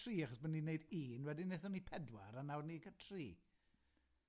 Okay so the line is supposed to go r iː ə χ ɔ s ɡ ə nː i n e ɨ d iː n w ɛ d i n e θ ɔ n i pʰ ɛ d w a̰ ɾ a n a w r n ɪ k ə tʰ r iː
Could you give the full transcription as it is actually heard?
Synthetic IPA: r iː a χ ɔ s b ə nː i n e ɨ d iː n w ɛ d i n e θ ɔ n i pʰ ɛ d w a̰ ɾ a n a w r n i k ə tʰ r iː